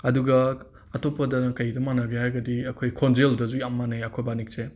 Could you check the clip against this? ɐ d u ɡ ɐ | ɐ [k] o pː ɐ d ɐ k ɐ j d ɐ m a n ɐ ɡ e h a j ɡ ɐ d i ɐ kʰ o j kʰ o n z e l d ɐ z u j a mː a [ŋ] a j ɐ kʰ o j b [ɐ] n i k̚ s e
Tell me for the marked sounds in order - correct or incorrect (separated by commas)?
incorrect, incorrect, incorrect